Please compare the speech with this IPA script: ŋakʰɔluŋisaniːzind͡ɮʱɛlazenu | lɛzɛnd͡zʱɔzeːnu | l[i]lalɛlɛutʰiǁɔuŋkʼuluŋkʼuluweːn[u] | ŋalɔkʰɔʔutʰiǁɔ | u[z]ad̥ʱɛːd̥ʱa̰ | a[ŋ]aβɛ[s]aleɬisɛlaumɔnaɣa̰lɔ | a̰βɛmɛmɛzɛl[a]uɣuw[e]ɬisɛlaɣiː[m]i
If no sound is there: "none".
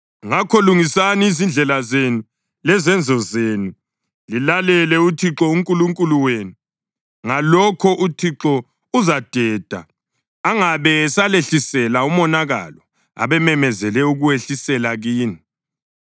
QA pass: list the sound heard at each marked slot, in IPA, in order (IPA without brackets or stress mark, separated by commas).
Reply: i, u, z, ŋ, s, ɛ, e, n